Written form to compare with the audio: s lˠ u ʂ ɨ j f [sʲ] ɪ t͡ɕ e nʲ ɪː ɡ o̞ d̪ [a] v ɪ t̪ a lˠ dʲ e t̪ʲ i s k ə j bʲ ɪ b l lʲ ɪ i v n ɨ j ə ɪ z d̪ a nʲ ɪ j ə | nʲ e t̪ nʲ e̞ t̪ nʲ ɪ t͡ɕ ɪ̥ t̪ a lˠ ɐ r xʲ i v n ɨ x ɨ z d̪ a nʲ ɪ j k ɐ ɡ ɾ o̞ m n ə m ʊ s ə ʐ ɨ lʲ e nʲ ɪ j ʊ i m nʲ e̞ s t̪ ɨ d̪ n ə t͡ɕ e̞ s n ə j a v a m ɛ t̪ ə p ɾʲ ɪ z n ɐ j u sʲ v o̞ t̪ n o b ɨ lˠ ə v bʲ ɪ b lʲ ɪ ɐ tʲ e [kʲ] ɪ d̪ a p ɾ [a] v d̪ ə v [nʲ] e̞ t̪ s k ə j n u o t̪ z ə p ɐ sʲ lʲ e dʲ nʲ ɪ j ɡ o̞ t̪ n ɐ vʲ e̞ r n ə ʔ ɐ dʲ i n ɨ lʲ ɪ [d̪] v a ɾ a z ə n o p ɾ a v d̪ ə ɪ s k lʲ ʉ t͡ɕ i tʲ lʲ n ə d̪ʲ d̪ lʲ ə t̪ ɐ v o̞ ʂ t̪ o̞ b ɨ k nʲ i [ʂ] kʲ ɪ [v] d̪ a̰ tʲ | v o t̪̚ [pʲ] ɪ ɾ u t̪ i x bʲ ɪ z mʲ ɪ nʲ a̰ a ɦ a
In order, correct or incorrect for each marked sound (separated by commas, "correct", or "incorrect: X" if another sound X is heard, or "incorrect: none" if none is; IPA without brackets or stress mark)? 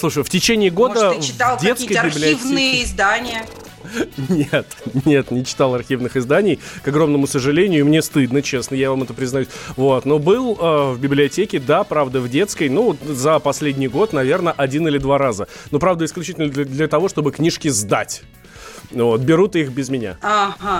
incorrect: tʲ, incorrect: ə, correct, correct, incorrect: dʲ, correct, correct, incorrect: z, incorrect: bʲ